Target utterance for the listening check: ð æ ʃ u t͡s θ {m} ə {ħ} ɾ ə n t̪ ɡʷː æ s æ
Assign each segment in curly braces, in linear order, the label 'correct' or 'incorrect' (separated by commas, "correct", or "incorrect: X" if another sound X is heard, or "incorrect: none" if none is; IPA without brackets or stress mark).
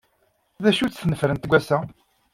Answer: incorrect: n, incorrect: f